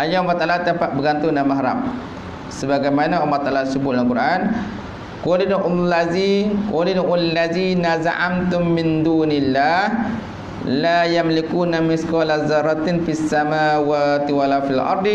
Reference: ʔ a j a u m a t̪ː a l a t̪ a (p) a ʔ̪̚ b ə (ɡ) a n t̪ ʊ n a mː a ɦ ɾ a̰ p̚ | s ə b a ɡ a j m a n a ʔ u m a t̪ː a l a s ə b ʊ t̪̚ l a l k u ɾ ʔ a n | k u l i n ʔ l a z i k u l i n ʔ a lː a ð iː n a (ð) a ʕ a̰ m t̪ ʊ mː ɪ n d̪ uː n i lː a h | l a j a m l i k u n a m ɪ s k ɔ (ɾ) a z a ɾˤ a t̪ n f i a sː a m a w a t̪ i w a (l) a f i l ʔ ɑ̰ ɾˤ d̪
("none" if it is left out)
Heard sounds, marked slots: p, ɡ, z, l, l

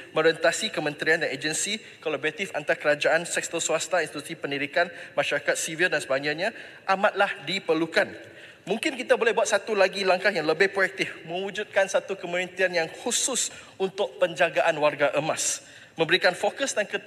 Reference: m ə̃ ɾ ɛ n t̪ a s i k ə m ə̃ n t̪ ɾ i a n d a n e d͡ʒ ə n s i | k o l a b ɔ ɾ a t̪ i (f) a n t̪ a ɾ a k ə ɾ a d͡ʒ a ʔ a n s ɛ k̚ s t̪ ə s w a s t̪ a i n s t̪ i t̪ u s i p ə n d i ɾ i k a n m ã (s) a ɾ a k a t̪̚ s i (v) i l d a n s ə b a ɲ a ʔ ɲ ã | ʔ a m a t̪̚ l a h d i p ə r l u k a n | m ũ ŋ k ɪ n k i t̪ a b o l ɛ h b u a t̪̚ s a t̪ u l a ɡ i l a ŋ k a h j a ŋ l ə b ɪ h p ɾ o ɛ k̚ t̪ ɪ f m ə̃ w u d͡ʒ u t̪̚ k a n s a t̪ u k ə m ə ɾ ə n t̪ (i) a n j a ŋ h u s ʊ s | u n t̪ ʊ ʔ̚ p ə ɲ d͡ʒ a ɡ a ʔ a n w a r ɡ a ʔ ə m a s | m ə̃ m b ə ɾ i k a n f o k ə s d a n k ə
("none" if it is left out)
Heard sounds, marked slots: f, ʃ, v, i

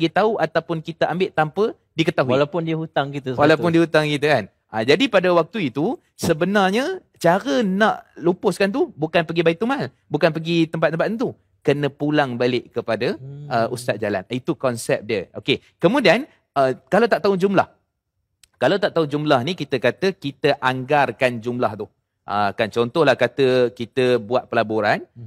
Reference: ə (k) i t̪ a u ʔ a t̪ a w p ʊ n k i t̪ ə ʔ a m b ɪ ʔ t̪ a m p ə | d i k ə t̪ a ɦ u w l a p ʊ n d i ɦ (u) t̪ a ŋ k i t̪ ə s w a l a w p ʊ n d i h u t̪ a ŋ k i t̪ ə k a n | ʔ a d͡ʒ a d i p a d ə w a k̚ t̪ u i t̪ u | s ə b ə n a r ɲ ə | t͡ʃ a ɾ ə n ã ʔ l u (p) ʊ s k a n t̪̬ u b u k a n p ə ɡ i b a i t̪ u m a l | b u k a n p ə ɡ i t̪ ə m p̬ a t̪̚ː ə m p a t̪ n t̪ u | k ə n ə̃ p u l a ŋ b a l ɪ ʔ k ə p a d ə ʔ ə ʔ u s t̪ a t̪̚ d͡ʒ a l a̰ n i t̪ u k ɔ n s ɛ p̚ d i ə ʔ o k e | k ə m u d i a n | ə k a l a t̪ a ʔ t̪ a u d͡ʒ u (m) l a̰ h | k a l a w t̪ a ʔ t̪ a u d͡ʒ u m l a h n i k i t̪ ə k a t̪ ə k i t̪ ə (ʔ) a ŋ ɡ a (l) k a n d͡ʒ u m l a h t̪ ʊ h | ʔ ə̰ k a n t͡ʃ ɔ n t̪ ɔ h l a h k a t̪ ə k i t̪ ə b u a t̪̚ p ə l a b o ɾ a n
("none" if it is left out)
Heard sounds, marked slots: ɡ, u, p, m, ʔ, r

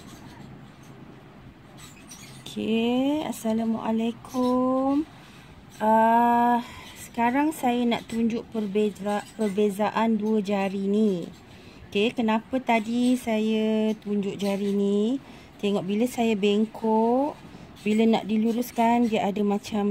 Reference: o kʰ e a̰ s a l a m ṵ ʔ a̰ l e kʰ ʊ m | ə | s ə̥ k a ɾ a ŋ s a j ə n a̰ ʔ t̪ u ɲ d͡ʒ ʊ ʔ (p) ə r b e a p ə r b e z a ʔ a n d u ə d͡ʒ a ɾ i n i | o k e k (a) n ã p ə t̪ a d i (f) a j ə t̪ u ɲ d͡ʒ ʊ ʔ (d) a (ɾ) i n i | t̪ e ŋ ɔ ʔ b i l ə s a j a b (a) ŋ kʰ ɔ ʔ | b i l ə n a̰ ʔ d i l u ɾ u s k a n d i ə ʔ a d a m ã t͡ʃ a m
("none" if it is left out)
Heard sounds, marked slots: p, ə, s, d͡ʒ, ɾ, e

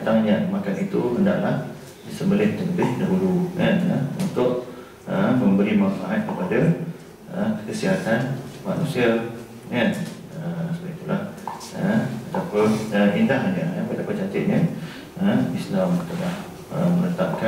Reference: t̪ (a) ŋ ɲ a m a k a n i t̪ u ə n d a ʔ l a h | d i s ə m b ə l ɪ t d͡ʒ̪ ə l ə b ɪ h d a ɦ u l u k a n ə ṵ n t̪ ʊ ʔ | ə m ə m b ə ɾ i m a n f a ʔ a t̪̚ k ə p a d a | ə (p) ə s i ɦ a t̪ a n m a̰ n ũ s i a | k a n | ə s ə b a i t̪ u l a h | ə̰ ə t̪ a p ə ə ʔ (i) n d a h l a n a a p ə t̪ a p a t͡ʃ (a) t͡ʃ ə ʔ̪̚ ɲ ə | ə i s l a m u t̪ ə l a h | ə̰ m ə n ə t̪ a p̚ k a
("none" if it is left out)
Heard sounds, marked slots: a, k, i, a

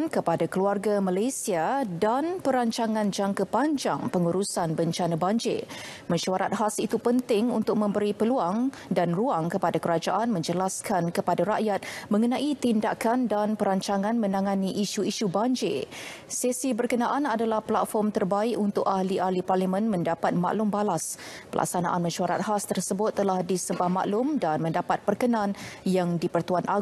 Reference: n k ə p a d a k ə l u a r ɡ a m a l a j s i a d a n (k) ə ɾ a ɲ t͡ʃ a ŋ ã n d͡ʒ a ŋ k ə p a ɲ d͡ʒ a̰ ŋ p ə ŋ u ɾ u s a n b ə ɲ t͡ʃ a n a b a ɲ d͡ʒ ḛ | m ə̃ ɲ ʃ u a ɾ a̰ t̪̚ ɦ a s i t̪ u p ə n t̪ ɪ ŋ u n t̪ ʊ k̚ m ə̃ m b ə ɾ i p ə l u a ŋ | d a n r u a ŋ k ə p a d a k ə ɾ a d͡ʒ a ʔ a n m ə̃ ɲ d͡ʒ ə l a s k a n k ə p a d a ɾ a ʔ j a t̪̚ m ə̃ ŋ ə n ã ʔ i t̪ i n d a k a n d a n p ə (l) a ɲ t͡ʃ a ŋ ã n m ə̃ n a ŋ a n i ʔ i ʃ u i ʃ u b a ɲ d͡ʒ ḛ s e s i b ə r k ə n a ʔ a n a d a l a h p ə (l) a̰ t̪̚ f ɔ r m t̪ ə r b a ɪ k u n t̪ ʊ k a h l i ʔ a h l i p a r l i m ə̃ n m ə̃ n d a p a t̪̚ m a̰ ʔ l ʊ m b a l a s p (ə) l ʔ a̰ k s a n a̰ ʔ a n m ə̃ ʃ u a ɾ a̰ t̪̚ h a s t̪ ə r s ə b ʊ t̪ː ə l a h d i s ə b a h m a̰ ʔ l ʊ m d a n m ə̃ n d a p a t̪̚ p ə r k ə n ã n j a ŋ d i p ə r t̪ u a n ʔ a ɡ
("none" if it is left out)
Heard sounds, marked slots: p, ɾ, l, ə

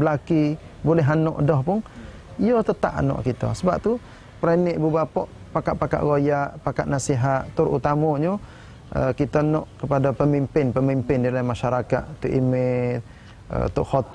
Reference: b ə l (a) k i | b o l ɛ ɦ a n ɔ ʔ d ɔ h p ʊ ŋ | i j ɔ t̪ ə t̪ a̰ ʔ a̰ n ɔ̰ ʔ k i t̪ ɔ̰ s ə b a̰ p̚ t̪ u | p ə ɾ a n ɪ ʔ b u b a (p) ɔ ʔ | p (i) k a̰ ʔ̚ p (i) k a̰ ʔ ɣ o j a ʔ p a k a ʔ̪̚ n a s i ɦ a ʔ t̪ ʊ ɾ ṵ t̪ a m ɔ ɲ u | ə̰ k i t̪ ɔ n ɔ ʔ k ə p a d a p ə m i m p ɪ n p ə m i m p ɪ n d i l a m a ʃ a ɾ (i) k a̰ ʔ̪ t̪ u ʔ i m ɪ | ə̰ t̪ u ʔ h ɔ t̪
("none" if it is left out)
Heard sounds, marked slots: a, p, a, a, a

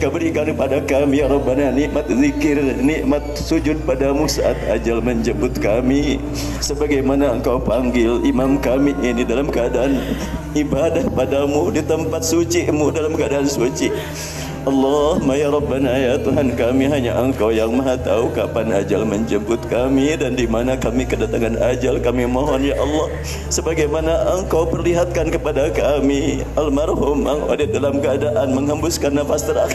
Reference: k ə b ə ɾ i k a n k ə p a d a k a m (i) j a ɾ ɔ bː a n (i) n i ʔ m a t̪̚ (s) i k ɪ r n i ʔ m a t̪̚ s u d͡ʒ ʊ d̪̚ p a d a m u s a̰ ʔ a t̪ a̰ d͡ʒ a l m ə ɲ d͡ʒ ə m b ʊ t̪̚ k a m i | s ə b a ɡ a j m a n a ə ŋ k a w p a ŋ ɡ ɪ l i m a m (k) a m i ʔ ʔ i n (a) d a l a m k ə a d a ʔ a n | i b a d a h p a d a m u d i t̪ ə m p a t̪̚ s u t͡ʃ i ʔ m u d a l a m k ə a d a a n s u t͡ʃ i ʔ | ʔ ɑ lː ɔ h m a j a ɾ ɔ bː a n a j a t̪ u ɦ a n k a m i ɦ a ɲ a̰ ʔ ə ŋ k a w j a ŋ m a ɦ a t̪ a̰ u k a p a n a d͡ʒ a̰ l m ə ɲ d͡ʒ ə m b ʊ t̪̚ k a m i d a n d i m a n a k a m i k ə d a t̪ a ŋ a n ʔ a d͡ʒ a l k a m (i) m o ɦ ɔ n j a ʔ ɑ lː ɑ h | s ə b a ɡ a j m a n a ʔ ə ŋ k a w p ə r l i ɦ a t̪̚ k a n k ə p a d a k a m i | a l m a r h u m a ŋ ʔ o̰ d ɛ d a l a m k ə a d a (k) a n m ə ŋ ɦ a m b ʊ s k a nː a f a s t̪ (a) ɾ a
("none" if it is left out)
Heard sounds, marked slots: i, a, z, k, i, i, ʔ, ə

